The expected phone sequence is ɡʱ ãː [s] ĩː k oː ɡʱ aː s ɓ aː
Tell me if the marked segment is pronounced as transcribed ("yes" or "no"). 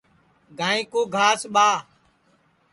no